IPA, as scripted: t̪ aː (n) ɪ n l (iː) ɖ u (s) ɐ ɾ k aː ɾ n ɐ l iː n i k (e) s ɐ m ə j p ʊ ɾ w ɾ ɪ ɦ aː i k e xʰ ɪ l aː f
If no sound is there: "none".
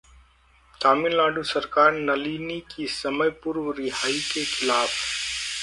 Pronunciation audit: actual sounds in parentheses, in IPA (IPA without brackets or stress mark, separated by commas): m, aː, s, i